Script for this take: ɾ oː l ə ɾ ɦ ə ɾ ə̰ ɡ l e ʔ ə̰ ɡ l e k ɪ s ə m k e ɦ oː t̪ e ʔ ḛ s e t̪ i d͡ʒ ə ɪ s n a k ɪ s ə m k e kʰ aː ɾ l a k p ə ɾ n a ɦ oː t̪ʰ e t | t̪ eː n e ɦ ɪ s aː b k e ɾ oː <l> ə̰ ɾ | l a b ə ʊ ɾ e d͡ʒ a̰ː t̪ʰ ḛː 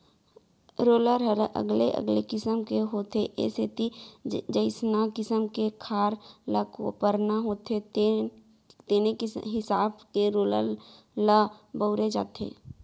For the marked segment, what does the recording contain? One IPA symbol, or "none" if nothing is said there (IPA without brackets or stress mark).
l